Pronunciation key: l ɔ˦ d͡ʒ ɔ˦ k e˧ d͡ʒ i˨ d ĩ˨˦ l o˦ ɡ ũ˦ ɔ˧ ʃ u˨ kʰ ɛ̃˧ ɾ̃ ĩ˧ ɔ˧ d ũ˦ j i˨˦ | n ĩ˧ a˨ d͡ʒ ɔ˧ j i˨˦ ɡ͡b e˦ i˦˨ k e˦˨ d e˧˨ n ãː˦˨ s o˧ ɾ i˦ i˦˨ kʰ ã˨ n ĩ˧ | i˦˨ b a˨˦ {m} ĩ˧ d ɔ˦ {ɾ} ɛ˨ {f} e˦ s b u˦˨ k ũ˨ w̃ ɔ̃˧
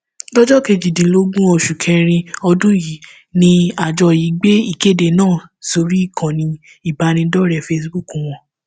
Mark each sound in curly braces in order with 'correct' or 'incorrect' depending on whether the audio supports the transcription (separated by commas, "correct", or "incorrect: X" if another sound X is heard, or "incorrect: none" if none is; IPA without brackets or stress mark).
incorrect: n, correct, correct